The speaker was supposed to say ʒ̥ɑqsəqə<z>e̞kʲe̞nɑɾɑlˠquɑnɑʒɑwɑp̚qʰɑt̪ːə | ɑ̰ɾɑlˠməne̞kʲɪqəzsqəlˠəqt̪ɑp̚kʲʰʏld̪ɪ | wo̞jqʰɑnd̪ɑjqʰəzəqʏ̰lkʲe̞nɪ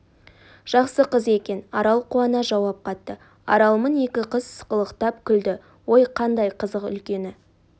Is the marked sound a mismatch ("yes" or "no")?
no